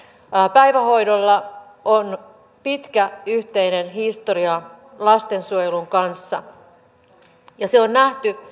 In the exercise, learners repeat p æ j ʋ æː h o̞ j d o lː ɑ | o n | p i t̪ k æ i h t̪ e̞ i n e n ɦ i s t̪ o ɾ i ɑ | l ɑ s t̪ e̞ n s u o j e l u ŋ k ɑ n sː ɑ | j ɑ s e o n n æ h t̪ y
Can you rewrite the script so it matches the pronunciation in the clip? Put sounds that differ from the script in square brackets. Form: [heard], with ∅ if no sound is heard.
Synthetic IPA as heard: p æ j ʋ [æ] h o̞ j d o lː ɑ | o n | p i t̪ k æ [y] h t̪ e̞ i n e n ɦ i s t̪ o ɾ i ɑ | l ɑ s t̪ e̞ n s u o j e l u ŋ k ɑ n sː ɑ | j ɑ s e o n n æ h t̪ y